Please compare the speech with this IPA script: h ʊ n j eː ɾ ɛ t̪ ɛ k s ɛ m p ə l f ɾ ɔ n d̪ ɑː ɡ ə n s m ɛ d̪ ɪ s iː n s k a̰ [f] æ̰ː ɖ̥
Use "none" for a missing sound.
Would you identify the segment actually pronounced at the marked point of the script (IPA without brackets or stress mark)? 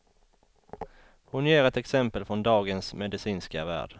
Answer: v